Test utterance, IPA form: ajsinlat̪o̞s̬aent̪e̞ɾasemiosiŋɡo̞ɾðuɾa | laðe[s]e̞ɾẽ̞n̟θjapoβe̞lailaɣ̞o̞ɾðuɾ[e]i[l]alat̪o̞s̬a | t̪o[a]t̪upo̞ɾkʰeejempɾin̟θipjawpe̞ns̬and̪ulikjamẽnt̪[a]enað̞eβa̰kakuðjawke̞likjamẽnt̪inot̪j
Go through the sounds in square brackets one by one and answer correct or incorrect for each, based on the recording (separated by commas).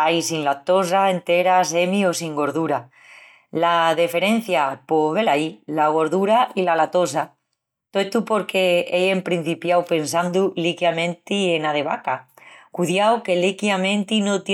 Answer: incorrect, incorrect, correct, incorrect, incorrect